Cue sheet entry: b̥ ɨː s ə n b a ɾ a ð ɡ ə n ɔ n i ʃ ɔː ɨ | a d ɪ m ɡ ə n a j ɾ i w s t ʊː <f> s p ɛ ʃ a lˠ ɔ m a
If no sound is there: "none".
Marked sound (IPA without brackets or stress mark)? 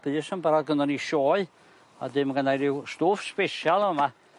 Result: f